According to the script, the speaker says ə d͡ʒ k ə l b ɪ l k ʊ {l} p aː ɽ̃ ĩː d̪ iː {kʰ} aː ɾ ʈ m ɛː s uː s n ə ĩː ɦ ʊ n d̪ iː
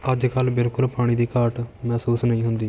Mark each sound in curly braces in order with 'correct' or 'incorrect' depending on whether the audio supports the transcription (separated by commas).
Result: correct, incorrect